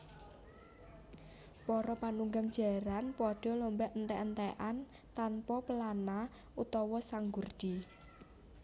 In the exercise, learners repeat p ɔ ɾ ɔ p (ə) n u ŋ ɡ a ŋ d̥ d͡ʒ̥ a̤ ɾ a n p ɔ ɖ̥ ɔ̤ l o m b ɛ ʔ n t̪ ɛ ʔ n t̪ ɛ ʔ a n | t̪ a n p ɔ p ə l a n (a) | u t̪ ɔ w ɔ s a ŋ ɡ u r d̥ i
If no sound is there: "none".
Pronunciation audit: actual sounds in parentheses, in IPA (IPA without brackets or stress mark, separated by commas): a, a